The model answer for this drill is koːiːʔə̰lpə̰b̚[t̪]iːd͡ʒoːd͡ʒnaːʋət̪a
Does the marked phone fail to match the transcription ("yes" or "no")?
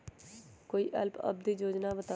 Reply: yes